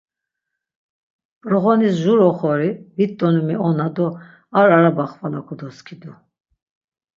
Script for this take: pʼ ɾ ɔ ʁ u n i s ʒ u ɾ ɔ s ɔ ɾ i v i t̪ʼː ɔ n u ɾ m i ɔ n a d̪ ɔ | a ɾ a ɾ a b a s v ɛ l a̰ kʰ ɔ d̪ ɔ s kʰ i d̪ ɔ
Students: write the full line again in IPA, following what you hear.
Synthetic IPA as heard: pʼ ɾ ɔ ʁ ɔ n i s ʒ u ɾ ɔ χ ɔ ɾ i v i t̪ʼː ɔ n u m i ɔ n a d̪ ɔ | a ɾ a ɾ a b a χ v a l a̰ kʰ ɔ d̪ ɔ s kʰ i d̪ u